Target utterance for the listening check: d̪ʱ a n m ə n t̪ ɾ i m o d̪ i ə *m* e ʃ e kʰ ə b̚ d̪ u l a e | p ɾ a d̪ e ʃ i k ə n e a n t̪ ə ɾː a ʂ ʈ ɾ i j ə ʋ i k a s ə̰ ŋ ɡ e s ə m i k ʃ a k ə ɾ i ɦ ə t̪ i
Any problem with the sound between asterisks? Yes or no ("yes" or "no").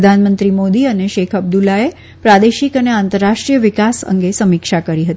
yes